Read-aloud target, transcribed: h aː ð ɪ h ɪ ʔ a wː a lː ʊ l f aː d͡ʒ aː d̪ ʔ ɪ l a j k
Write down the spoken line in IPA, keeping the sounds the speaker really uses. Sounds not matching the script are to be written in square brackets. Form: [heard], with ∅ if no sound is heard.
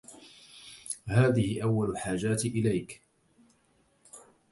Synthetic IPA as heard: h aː ð ɪ h ɪ ʔ a wː a [l] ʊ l [ħ] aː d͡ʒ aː [t̪] ʔ ɪ l a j k